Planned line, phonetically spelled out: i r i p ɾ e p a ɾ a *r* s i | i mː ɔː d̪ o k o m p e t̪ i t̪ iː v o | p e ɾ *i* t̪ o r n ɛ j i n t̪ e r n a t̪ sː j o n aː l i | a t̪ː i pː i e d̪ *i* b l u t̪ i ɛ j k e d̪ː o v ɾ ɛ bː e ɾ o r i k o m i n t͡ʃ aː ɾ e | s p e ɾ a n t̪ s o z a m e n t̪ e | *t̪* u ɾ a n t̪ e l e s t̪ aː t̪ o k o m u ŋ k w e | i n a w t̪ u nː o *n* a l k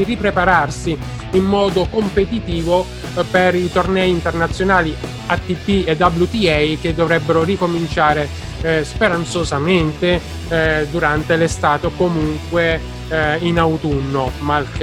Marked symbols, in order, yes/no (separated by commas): yes, yes, no, no, no